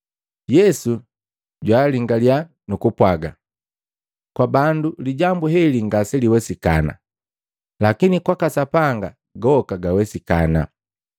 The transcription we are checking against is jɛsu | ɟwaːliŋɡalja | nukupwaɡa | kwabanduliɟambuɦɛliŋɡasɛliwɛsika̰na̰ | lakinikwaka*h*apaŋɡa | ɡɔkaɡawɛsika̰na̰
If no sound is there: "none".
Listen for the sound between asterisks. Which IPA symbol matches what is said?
s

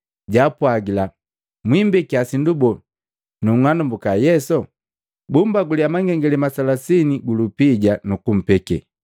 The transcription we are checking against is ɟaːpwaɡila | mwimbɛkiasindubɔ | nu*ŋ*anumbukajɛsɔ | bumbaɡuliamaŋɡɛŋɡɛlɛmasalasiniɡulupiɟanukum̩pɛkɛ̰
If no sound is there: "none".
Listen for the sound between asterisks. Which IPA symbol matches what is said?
ŋ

